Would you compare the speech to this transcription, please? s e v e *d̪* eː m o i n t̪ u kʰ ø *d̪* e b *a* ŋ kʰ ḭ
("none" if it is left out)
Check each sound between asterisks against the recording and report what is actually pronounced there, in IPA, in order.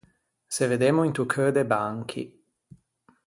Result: d̪, d̪, a

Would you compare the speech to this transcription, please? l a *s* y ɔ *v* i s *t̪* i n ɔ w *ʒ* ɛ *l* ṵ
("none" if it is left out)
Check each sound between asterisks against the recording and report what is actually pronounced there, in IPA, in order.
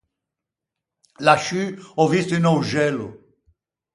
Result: ʃ, v, t̪, ʒ, l

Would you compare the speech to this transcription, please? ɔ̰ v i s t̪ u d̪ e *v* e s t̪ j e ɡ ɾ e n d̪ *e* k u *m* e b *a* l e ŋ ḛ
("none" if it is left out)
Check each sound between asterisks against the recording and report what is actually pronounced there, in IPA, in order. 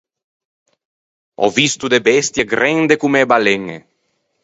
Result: b, e, m, a

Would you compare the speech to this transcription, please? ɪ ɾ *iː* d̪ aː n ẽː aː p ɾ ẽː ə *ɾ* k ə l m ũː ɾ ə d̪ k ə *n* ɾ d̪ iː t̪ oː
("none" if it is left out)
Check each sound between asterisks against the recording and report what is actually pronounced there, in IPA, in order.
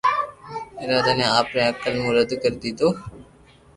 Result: aː, none, none

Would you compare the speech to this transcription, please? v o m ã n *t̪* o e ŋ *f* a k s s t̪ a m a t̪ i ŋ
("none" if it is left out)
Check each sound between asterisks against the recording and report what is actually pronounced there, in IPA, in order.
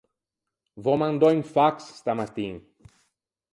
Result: d̪, f

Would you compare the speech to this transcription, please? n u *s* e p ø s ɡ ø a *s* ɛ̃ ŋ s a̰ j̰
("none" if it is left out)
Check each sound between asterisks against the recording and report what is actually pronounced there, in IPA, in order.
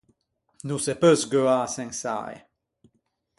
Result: s, s

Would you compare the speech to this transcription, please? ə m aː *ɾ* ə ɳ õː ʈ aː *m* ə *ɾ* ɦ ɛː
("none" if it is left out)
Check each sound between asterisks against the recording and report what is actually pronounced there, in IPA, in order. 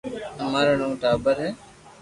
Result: ɾ, b, ɾ

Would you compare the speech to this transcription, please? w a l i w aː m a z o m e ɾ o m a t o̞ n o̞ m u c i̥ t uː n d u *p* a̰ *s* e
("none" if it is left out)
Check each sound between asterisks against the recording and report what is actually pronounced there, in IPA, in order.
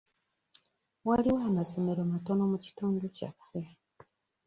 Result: c, f

